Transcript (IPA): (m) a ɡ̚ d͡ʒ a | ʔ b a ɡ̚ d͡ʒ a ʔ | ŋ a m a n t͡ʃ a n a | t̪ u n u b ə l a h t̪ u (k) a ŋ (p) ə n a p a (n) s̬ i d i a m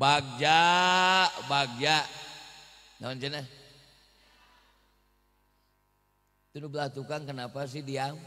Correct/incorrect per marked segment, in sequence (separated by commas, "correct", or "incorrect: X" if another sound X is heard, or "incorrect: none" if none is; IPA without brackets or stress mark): incorrect: b, correct, incorrect: k, incorrect: none